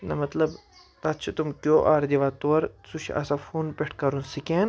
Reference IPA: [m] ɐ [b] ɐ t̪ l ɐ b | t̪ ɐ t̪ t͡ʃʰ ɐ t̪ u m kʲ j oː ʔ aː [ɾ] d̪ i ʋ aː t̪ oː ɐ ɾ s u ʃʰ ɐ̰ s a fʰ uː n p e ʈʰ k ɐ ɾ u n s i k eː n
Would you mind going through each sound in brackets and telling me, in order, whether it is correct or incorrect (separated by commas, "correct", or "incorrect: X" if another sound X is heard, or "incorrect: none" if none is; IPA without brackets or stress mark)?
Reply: incorrect: n, incorrect: m, correct